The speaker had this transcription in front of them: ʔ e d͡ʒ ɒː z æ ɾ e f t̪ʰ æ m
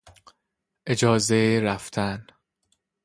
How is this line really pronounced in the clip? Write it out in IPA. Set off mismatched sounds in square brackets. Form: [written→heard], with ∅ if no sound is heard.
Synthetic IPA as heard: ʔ e d͡ʒ ɒː z [æ→e] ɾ [e→æ] f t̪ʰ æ [m→n]